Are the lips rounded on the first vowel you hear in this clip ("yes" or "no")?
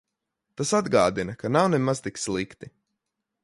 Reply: no